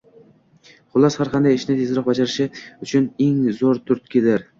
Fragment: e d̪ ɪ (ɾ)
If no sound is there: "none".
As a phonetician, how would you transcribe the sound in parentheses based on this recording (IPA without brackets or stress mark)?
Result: ɾ